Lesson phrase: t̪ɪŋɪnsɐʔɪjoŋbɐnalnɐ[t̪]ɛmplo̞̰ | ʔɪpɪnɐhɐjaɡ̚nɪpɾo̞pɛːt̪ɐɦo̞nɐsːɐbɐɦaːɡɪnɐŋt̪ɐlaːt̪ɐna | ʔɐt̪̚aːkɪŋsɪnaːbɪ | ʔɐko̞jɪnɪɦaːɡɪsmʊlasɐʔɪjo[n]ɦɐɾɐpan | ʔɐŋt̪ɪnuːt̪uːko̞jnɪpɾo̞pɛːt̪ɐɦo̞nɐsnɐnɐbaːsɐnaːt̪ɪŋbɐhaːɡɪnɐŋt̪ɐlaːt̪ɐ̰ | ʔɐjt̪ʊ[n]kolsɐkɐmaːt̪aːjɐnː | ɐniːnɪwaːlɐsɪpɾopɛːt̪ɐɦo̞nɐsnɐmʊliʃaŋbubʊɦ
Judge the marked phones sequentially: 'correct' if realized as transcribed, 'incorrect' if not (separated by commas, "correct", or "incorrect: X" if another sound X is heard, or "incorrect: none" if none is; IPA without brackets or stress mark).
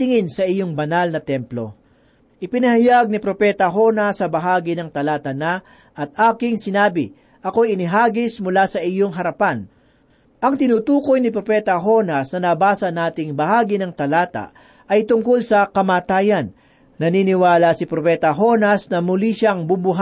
correct, incorrect: ŋ, incorrect: ŋ